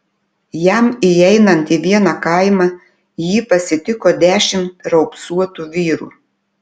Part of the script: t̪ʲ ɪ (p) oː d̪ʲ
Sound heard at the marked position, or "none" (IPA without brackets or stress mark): k